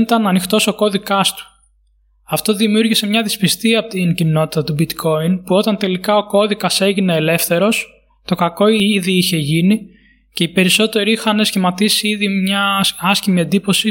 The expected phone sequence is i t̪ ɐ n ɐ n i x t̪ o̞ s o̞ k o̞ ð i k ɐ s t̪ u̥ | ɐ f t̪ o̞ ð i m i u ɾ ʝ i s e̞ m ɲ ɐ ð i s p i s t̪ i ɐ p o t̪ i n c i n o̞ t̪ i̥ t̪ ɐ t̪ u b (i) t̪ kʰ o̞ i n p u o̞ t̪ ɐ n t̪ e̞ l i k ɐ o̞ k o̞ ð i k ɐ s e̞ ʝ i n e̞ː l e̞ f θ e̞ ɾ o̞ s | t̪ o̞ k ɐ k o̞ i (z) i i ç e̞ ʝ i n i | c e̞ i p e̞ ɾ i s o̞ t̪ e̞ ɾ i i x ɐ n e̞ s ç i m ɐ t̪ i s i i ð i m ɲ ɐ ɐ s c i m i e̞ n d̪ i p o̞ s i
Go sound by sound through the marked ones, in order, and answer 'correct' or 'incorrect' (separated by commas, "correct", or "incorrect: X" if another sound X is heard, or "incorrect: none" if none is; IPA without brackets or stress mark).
correct, incorrect: ð